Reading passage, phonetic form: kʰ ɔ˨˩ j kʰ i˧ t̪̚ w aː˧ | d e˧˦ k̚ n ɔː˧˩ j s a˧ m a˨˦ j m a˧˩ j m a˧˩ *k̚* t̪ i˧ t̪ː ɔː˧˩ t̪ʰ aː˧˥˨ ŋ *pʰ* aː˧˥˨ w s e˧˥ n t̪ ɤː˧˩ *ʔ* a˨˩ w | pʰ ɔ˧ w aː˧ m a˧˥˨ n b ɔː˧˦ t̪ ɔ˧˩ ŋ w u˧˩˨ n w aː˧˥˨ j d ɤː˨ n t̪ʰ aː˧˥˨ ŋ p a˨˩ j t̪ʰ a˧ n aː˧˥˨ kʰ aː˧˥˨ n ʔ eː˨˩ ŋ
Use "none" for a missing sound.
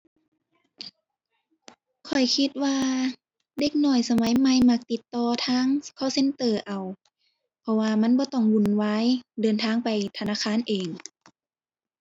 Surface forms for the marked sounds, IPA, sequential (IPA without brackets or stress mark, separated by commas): k̚, kʰ, ʔ